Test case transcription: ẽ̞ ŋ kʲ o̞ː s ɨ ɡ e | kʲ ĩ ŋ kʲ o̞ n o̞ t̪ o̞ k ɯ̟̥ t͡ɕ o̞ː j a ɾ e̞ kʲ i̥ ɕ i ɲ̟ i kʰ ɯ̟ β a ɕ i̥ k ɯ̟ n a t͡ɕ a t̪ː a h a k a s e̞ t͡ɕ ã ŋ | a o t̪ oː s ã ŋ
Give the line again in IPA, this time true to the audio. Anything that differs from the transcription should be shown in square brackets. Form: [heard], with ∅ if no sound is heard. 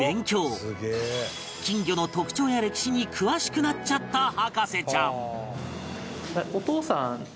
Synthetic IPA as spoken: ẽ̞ ŋ kʲ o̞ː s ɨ ɡ e | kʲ ĩ ŋ [ɡʲ] o̞ n o̞ t̪ o̞ k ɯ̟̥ t͡ɕ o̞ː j a ɾ e̞ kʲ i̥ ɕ i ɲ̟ i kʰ ɯ̟ β a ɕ i̥ k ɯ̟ n a t͡ɕ a t̪ː a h a k a s e̞ t͡ɕ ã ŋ | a o t̪ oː s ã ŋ